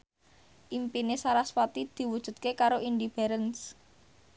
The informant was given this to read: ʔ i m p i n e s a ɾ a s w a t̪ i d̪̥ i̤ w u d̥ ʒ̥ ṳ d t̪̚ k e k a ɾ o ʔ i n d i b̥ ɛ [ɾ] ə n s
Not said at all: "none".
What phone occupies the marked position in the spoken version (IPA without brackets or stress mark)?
ɾ